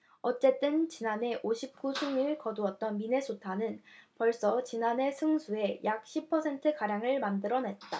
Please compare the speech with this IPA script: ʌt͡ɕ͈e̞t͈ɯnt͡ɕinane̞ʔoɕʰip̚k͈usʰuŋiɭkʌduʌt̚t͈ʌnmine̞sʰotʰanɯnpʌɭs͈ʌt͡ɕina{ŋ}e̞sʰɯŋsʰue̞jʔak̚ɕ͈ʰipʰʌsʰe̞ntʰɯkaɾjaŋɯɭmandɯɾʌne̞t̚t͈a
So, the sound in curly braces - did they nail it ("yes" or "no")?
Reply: no